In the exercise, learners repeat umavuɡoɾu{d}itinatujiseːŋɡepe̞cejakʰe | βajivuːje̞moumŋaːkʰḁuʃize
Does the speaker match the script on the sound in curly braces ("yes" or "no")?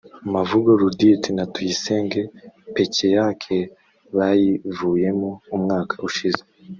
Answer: yes